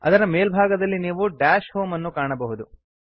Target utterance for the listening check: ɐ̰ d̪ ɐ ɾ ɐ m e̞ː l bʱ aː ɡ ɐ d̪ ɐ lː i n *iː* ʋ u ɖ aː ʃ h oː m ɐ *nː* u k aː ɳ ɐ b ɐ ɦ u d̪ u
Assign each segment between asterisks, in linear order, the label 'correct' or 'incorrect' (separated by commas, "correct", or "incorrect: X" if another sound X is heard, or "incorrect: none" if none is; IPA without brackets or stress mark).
correct, correct